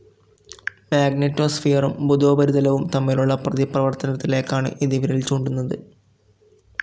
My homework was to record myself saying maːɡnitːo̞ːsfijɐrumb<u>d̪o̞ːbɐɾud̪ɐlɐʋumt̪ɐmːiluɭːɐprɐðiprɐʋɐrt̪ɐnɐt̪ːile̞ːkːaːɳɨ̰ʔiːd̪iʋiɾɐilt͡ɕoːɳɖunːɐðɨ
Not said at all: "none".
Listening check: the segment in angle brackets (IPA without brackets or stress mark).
u